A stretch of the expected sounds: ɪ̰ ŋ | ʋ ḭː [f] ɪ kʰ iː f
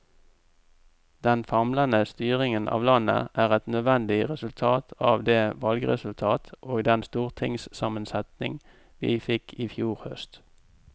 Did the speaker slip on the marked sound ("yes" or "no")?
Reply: no